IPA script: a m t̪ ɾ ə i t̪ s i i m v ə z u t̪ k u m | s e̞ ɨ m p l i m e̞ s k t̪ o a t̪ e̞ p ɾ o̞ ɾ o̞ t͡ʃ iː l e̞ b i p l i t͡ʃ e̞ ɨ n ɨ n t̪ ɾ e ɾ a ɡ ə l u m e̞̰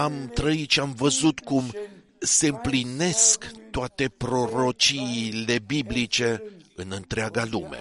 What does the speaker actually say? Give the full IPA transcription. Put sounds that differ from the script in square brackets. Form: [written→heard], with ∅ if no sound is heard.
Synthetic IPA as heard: a m t̪ ɾ ə i t̪ [s→ʃ] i [i→a] m v ə z u t̪ k u m | s e̞ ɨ m p l i [m→n] e̞ s k t̪ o a t̪ e̞ p ɾ o̞ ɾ o̞ t͡ʃ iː l e̞ b i [p→b] l i t͡ʃ e̞ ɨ n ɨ n t̪ ɾ e [ɾ→∅] a ɡ [ə→a] l u m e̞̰